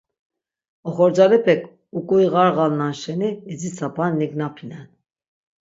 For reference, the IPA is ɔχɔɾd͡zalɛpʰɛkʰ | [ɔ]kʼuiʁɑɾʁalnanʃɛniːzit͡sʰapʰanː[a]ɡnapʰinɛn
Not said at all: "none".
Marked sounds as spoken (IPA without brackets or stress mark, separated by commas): u, i